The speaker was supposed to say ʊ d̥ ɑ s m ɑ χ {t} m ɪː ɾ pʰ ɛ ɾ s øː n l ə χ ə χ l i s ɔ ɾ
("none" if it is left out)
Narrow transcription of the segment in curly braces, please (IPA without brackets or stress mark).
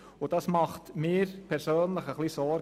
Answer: t